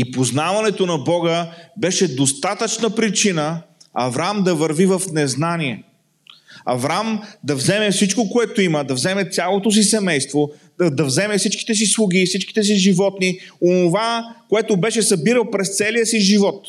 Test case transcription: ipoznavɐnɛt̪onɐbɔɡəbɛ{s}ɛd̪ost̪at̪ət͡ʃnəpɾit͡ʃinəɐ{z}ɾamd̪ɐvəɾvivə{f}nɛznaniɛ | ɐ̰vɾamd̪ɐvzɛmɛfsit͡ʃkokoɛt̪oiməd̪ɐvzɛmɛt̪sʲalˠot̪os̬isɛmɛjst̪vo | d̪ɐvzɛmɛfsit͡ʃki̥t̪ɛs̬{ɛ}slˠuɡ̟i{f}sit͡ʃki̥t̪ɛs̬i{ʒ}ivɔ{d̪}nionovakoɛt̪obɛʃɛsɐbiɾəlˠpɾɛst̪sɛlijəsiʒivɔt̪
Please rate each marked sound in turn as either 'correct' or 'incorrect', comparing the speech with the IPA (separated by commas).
incorrect, incorrect, correct, incorrect, correct, correct, incorrect